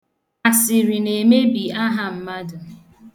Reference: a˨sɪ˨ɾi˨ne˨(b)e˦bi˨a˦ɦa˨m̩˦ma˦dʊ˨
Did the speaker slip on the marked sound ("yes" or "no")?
yes